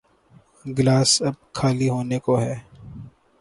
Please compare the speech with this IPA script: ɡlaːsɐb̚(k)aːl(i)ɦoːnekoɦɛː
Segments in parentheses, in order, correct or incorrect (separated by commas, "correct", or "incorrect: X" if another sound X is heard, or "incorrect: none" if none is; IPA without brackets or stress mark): incorrect: kʰ, correct